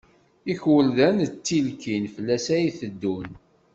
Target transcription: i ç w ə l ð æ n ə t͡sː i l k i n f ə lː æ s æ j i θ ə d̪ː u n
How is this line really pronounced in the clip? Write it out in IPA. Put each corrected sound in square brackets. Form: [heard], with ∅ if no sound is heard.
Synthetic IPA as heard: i ç w ə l ð æ n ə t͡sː i l k i n f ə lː æ s æ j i θ ə d̪ː u n